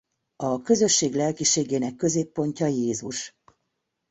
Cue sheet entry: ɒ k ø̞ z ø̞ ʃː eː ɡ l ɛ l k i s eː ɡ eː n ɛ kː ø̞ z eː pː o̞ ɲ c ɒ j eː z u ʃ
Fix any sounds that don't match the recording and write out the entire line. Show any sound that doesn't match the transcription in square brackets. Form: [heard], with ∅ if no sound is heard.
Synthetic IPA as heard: ɒ k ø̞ z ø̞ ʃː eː ɡ l ɛ l k i [ʃ] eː ɡ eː n ɛ kː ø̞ z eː pː o̞ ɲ c ɒ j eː z u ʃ

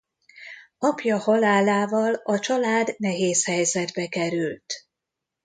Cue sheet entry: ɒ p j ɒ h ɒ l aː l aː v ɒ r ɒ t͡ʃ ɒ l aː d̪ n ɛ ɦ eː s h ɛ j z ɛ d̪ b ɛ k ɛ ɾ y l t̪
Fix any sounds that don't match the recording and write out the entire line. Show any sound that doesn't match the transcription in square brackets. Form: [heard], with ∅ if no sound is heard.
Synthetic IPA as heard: ɒ p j ɒ h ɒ l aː l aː v ɒ [l] ɒ t͡ʃ ɒ l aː d̪ n ɛ ɦ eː s h ɛ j z ɛ d̪ b ɛ k ɛ ɾ y l t̪

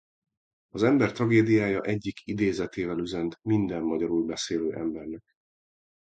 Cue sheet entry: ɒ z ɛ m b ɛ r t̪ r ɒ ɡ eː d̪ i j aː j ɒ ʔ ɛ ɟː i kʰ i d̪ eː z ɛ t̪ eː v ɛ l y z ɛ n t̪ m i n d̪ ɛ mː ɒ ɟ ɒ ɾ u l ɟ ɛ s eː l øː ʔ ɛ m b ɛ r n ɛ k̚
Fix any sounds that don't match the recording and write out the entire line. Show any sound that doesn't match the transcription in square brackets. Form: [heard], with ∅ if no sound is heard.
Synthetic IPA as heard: ɒ z ɛ m b ɛ r t̪ r ɒ ɡ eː d̪ i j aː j ɒ ʔ ɛ ɟː i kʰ i d̪ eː z ɛ t̪ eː v ɛ l y z ɛ n t̪ m i n d̪ ɛ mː ɒ ɟ ɒ ɾ u l [b] ɛ s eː l øː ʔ ɛ m b ɛ r n ɛ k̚

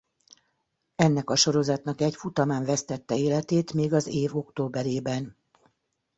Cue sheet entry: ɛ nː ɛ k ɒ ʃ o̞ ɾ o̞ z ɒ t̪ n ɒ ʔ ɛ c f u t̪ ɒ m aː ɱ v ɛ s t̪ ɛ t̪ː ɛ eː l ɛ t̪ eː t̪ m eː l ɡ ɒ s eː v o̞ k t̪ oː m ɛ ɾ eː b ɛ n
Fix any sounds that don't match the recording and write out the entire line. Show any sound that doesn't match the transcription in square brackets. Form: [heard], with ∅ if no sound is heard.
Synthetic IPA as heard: ɛ nː ɛ k ɒ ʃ o̞ ɾ o̞ z ɒ t̪ n ɒ [k] ɛ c f u t̪ ɒ m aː ɱ v ɛ s t̪ ɛ t̪ː ɛ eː l ɛ t̪ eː t̪ m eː [∅] ɡ ɒ [z] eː v o̞ k t̪ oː [b] ɛ ɾ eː b ɛ n

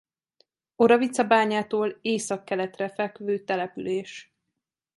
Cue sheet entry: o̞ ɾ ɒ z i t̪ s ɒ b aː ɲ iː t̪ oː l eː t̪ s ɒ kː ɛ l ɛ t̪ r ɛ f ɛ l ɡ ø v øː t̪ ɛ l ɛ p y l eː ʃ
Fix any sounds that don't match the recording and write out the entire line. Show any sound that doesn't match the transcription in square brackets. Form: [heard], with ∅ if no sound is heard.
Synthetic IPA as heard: o̞ ɾ ɒ [v] i t̪ s ɒ b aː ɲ [aː] t̪ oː l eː [∅] s ɒ kː ɛ l ɛ t̪ r ɛ f ɛ l [k] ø v øː t̪ ɛ l ɛ p y l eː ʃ

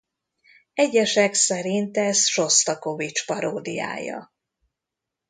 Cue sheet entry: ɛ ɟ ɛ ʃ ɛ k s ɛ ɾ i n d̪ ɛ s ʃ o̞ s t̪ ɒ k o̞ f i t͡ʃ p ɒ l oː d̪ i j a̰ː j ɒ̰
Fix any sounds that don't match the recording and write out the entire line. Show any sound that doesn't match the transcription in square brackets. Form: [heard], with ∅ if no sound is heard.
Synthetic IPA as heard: ɛ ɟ ɛ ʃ ɛ k s ɛ ɾ i n [t̪] ɛ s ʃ o̞ s t̪ ɒ k o̞ [v] i t͡ʃ p ɒ [ɾ] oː d̪ i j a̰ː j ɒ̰

